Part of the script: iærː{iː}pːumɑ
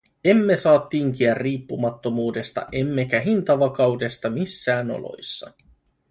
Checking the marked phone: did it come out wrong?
no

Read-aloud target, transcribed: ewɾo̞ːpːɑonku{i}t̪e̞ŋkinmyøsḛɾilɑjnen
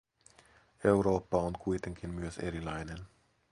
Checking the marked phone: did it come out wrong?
yes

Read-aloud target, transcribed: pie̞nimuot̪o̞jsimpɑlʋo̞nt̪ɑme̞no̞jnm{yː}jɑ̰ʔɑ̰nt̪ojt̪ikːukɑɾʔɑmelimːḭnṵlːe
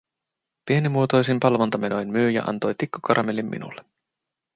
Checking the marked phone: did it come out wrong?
no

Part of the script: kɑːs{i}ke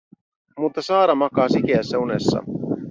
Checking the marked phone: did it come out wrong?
no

